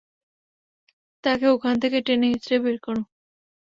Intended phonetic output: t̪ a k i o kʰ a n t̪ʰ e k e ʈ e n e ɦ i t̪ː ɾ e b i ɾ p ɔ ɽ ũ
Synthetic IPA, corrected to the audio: t̪ a k e o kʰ a n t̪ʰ e k e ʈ e n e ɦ i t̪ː ɾ e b e ɾ k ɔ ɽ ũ